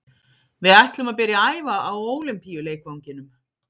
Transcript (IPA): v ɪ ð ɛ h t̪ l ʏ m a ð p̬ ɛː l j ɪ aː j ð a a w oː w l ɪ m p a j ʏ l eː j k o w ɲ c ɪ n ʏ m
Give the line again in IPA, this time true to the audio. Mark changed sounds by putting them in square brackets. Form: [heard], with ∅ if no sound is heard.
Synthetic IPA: v ɪ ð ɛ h t̪ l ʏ m a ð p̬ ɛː [ɾ] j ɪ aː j [v] a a w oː w l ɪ m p [i] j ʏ l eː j k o w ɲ c ɪ n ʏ m

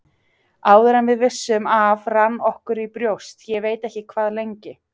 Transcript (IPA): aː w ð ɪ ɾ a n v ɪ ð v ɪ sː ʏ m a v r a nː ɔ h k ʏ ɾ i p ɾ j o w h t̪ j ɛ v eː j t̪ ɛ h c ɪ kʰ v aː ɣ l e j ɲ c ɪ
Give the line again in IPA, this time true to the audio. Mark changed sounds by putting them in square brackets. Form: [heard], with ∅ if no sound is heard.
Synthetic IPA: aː w ð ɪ ɾ a n v ɪ ð v ɪ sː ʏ m a v r a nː ɔ h k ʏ ɾ i p ɾ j o w [s] t̪ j ɛ v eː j t̪ ɛ h c ɪ kʰ v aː [ð] l e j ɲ c ɪ

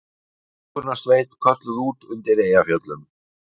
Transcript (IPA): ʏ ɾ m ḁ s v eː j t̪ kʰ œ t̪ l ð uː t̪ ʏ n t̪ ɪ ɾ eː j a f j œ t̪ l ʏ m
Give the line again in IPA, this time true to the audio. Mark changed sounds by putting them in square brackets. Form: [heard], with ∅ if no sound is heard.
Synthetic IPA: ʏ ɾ [n] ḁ s v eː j t̪ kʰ œ t̪ l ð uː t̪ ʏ n t̪ ɪ ɾ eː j a f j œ t̪ l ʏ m

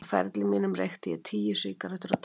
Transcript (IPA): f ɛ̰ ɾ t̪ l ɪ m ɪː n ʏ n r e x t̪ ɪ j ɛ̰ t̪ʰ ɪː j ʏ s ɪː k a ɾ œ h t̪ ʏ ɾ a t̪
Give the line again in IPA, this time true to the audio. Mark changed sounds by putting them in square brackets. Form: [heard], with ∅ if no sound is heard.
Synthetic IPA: f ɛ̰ ɾ t̪ l ɪ m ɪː n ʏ [m] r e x t̪ ɪ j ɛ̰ t̪ʰ [iː] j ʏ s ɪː k a ɾ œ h t̪ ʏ ɾ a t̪

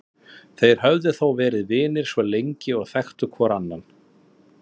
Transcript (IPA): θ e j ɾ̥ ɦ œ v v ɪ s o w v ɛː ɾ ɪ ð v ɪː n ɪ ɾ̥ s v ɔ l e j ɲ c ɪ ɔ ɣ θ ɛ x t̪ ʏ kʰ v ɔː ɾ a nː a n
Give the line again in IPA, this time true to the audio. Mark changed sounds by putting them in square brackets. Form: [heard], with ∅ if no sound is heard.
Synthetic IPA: θ e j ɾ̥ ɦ œ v [ð] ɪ [θ] o w v ɛː ɾ ɪ ð v ɪː n ɪ ɾ̥ s v ɔ l e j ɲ c ɪ ɔ ɣ θ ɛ x t̪ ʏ kʰ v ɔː ɾ a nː a n

